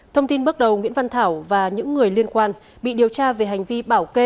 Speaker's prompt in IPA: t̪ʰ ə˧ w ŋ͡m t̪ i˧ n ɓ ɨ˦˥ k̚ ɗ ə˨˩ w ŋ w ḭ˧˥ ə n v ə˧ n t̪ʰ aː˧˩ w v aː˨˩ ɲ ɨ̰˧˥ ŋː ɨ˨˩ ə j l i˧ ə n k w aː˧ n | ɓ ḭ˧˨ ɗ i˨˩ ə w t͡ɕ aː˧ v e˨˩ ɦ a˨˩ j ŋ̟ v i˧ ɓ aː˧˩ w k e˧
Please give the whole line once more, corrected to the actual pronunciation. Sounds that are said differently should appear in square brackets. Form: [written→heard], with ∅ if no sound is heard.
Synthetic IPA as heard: t̪ʰ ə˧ w ŋ͡m t̪ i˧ n ɓ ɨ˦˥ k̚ ɗ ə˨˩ w ŋ w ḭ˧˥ ə n v [ə˧→a˧] n t̪ʰ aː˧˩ w v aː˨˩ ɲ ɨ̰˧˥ ŋː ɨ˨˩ ə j l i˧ ə n k w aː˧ n | ɓ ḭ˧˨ ɗ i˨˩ ə w t͡ɕ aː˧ v e˨˩ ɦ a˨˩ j ŋ̟ v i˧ ɓ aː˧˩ w k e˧